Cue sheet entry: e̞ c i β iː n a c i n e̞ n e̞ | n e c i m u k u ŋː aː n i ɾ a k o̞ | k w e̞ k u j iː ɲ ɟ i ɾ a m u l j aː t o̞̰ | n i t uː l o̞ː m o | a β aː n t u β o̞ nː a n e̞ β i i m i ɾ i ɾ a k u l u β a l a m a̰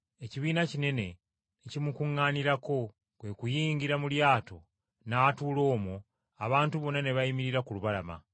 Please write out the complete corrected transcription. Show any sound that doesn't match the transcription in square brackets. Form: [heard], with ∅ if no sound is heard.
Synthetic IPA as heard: e̞ c i β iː n a c i n e̞ n e̞ | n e c i m u k u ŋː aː n i ɾ a k o̞ | k w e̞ k u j iː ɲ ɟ i ɾ a m u l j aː t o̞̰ | n [a] t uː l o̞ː m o | a β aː n t u β o̞ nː a n e̞ β [a] i m i ɾ i ɾ a k u l u β a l a m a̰